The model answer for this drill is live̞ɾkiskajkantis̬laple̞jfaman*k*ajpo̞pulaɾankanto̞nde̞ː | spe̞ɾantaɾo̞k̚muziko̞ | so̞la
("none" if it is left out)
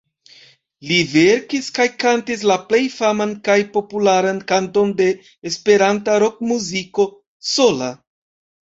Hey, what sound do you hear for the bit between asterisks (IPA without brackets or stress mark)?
k